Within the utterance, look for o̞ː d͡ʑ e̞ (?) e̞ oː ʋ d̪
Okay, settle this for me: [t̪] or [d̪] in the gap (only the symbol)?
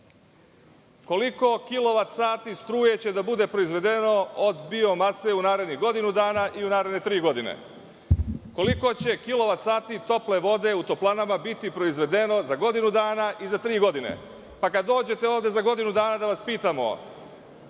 t̪